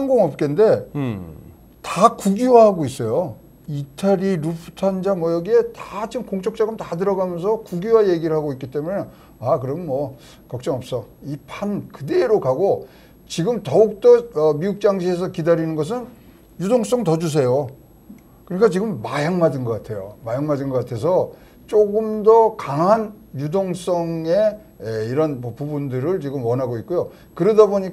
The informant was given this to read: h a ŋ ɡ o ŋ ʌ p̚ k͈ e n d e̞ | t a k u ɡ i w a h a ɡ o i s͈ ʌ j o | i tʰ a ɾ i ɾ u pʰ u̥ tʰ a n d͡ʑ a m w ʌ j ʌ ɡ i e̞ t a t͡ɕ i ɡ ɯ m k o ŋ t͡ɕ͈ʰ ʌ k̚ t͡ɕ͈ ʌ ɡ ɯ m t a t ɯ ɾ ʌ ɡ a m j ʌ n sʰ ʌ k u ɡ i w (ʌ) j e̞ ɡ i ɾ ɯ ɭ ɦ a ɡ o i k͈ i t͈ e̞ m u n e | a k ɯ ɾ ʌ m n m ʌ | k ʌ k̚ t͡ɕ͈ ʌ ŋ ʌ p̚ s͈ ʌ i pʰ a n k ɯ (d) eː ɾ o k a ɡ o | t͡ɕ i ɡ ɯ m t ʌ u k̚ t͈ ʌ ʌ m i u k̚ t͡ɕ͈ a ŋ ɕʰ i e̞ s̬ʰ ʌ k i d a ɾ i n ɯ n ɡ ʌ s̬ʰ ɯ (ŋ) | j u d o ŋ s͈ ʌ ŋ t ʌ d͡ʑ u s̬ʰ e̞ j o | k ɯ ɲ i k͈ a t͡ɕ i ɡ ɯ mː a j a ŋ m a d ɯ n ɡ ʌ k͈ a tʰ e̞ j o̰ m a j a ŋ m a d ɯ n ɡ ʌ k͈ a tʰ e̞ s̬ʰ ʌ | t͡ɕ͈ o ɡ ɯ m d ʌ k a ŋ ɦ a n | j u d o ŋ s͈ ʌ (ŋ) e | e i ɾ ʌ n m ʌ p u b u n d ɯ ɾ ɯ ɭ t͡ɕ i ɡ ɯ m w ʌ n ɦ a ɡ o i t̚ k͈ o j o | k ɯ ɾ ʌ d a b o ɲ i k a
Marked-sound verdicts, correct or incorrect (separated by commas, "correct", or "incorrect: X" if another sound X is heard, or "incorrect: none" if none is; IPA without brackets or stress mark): incorrect: a, correct, incorrect: n, correct